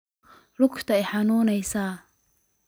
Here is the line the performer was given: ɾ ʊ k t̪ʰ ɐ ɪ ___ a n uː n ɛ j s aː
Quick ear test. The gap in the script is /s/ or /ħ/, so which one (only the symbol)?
ħ